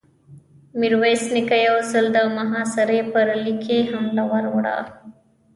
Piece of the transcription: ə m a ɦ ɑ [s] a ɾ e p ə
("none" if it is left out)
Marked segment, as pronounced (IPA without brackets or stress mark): s